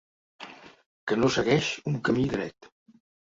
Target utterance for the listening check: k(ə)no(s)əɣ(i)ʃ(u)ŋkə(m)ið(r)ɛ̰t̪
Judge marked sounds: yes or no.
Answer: yes, yes, no, yes, yes, no

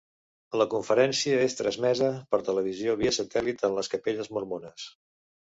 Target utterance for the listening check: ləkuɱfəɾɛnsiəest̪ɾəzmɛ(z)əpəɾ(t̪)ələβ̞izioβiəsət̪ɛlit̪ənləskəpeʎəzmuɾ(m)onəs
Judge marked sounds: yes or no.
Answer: yes, yes, yes

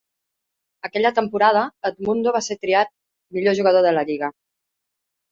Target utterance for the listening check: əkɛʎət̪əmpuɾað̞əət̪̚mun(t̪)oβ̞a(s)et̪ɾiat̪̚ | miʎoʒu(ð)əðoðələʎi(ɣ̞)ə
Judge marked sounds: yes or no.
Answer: no, yes, no, yes

